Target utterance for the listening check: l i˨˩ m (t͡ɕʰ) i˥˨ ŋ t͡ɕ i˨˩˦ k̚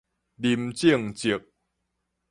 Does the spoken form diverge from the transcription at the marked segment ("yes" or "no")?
yes